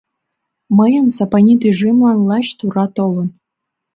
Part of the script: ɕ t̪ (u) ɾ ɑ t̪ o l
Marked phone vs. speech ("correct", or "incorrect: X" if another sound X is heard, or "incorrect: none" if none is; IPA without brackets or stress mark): correct